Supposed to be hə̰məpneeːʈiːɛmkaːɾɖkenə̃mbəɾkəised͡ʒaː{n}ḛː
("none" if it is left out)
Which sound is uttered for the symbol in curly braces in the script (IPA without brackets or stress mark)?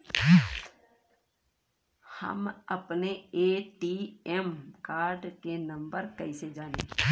n